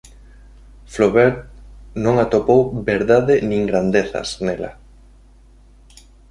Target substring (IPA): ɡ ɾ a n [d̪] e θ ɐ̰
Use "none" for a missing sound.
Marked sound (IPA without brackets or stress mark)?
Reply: d̪